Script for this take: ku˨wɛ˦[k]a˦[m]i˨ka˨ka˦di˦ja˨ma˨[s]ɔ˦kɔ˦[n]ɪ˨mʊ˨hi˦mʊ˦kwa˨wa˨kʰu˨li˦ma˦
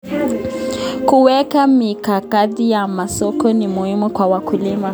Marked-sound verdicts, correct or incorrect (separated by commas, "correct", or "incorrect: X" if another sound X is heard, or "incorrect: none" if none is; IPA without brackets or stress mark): correct, correct, correct, correct